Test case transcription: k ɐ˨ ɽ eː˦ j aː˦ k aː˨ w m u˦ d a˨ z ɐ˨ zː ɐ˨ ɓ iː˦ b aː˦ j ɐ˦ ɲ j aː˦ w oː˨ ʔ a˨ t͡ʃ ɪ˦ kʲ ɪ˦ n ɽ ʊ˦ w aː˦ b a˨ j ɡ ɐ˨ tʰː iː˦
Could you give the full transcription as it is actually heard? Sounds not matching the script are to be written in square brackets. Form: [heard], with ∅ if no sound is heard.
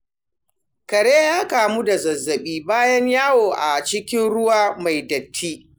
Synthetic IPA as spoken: k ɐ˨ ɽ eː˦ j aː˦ k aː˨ [∅] m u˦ d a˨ z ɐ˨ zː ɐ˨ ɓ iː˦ b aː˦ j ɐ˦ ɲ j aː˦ w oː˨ ʔ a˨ t͡ʃ ɪ˦ kʲ ɪ˦ n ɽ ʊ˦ w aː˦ [m] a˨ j [d] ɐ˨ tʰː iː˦